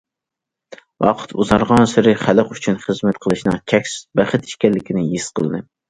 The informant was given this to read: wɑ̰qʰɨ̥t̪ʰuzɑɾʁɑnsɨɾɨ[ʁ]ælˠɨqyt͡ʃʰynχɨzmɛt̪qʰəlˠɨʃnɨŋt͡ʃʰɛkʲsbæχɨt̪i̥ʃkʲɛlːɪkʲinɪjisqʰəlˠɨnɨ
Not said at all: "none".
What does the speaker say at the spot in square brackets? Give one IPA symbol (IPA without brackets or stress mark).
χ